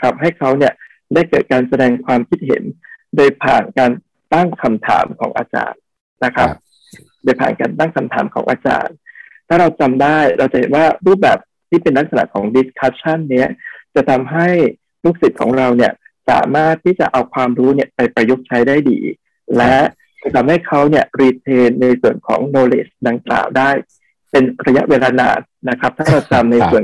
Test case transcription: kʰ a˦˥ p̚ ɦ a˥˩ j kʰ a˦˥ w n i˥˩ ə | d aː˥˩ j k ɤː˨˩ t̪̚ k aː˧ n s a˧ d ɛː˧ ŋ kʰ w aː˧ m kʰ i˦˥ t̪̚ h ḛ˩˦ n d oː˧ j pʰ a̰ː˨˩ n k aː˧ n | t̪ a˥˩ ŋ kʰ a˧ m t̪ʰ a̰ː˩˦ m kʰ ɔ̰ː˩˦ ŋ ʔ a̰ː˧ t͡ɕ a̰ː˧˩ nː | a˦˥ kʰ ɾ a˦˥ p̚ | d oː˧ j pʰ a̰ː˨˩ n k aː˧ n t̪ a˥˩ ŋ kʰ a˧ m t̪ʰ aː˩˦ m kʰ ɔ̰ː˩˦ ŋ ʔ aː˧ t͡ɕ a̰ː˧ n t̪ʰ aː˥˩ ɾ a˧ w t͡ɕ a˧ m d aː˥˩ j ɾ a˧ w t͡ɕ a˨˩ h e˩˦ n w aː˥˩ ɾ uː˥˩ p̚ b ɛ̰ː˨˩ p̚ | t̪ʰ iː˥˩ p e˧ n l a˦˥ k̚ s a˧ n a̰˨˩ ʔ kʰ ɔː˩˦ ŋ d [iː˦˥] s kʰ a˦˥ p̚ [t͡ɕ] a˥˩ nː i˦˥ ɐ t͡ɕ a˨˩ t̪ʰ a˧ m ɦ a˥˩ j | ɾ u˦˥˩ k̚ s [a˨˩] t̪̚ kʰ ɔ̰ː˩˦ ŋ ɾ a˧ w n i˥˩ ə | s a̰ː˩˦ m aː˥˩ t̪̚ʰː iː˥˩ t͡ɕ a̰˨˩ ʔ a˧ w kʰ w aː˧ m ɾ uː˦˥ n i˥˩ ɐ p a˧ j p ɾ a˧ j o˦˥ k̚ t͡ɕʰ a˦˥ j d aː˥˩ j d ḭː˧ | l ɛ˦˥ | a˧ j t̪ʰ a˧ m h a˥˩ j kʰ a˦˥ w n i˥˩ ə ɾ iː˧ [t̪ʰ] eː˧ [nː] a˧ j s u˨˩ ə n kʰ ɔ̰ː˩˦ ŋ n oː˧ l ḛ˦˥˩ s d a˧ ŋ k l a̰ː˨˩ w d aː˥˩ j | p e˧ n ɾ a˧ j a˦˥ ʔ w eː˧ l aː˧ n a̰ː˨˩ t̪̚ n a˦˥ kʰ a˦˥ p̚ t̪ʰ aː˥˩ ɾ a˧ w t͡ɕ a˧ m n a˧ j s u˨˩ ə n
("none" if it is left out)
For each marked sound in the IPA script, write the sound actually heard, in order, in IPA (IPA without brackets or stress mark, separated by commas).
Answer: i˦˥, t͡ɕʰ, i˨˩, t̪ʰ, nː